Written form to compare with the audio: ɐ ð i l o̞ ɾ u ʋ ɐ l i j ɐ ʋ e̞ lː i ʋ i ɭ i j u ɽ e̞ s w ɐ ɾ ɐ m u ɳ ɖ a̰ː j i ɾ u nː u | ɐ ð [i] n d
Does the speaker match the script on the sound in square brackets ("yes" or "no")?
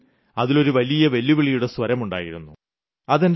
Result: no